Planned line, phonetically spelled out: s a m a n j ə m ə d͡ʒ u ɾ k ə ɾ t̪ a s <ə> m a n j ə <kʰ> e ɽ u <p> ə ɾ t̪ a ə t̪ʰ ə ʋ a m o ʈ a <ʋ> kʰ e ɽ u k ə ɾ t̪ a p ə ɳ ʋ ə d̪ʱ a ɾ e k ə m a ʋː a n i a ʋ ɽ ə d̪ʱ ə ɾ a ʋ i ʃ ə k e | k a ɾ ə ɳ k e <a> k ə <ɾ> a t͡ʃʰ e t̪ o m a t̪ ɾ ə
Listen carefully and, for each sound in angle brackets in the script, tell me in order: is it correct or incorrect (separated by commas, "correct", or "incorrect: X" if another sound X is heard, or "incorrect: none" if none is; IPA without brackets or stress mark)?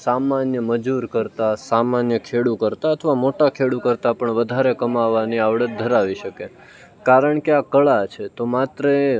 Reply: incorrect: a, correct, incorrect: k, incorrect: none, correct, incorrect: ɭ